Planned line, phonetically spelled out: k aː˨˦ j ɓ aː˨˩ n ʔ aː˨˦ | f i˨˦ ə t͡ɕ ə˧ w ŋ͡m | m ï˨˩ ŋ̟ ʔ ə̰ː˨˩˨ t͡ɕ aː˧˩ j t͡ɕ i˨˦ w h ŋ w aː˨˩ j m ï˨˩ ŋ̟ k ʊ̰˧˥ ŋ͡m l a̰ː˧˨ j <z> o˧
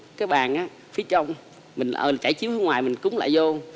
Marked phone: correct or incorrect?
correct